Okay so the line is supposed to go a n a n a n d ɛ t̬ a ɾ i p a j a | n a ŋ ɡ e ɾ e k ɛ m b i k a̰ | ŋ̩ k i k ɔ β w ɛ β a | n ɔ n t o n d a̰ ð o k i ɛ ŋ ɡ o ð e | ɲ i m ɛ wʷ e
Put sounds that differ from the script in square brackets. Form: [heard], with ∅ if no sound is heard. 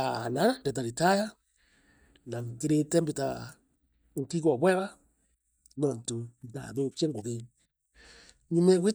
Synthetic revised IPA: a n a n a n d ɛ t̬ a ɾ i [t] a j a | n a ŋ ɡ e ɾ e [t] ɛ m b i [t] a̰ | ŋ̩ k i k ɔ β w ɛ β a | n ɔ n t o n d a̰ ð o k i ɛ ŋ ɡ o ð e | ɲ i m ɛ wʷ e